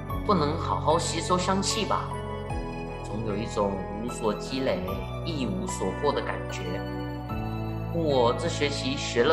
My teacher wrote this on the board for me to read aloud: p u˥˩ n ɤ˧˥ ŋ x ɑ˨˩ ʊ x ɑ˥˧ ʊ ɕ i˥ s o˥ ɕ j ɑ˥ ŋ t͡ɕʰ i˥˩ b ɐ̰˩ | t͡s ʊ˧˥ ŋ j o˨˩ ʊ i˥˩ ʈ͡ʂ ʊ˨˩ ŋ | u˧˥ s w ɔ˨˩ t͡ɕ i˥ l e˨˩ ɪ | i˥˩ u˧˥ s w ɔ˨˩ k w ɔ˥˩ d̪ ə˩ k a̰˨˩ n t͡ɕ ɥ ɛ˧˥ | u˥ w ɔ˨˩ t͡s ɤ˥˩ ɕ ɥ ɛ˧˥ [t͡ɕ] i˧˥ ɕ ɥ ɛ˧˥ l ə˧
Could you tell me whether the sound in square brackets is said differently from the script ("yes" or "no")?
yes